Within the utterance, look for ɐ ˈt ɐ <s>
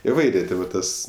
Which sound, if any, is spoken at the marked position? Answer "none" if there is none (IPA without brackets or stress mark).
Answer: s